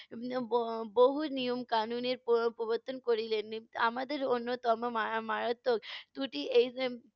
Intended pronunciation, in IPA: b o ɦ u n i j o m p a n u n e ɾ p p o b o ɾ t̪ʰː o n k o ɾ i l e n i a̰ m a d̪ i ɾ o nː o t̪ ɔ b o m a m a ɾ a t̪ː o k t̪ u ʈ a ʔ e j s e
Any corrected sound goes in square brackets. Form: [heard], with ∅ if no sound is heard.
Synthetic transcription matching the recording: b o ɦ u n i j o m [k] a n u n e ɾ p p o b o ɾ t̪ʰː o n k o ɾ i l e n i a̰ m a d̪ [e] ɾ o nː o t̪ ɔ [m] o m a m a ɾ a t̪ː o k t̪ u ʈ [i] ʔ e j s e